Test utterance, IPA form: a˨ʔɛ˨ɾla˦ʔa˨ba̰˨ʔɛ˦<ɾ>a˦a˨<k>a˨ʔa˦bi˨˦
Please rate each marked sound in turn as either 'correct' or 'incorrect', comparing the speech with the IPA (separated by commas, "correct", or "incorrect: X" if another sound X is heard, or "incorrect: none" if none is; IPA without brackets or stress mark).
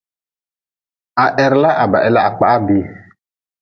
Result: incorrect: l, incorrect: k͡p